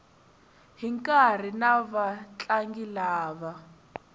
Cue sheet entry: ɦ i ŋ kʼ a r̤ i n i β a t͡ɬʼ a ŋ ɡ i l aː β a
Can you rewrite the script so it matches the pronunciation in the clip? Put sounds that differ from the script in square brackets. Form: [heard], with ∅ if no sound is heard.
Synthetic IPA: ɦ i ŋ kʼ a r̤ i n [a] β a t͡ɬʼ a ŋ ɡ i l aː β a